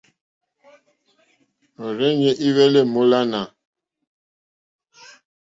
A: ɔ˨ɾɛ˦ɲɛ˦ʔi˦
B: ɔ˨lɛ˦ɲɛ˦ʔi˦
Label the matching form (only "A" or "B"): A